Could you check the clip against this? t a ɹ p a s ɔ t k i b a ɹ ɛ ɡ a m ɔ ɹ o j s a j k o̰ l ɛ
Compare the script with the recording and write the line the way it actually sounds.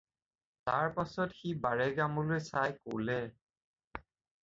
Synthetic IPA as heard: t a ɹ p a s ɔ t x i b a ɹ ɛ ɡ a m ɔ l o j s a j k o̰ l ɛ

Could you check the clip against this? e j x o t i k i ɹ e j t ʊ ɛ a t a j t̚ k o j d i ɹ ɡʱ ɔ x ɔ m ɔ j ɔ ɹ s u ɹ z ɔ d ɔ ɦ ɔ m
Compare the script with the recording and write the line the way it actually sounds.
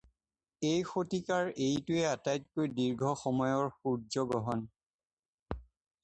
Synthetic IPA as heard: e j x o t i k a ɹ e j t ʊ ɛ a t a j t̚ k o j d i ɹ ɡʱ ɔ x ɔ m ɔ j ɔ ɹ x u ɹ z ɔ ɡ ɔ ɦ ɔ n

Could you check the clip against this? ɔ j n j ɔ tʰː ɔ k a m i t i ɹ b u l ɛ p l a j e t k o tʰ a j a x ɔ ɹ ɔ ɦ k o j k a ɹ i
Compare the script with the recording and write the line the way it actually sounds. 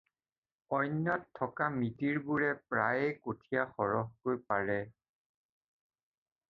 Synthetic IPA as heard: ɔ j n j ɔ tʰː ɔ k a m i t i ɹ b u ɹ ɛ p ɹ a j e k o tʰ i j a x ɔ ɹ ɔ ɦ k o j p a ɹ ɛ

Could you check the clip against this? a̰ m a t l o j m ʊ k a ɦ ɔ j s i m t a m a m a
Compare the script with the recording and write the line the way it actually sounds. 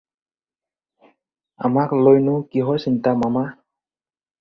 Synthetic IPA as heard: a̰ m a k l o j n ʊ k i ɦ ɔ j s i n t a m a m a

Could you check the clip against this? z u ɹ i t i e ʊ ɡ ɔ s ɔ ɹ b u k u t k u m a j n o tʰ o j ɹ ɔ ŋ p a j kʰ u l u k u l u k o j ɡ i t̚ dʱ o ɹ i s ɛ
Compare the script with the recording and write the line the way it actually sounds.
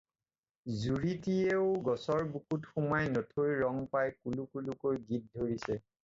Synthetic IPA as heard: z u ɹ i t i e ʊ ɡ ɔ s ɔ ɹ b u k u t x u m a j n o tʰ o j ɹ ɔ ŋ p a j k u l u k u l u k o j ɡ i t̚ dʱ o ɹ i s ɛ

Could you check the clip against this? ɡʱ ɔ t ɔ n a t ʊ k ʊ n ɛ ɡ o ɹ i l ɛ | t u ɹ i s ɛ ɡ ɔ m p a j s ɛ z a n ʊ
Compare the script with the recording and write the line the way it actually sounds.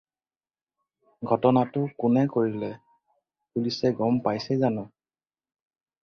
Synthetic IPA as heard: ɡʱ ɔ t ɔ n a t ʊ k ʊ n ɛ k o ɹ i l ɛ | p u l i s ɛ ɡ ɔ m p a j s ɛ z a n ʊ

